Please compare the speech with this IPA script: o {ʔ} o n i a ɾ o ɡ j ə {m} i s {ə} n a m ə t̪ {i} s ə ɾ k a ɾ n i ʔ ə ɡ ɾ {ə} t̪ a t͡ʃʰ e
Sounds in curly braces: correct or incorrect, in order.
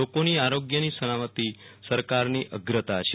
incorrect: k, incorrect: n, correct, correct, correct

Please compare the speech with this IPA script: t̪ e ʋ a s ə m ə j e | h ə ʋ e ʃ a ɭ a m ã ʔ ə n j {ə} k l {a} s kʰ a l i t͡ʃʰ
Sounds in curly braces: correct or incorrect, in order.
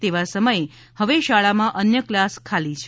correct, correct

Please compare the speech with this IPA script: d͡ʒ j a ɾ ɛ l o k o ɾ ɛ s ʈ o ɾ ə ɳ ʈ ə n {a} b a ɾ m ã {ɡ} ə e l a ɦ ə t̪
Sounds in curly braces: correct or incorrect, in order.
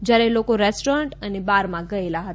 incorrect: e, correct

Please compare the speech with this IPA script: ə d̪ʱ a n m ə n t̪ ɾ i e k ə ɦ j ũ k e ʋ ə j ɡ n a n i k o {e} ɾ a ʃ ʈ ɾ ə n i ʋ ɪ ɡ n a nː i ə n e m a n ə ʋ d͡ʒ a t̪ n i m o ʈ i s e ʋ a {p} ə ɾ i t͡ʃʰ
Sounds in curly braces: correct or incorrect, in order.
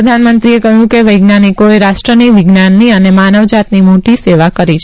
correct, incorrect: k

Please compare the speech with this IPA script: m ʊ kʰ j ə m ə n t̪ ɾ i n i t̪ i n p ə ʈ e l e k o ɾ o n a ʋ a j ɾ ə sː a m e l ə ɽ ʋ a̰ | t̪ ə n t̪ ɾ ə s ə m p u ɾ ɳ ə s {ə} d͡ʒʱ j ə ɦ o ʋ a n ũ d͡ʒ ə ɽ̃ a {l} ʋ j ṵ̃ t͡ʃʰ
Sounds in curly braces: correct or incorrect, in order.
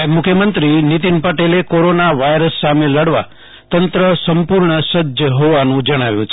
correct, incorrect: none

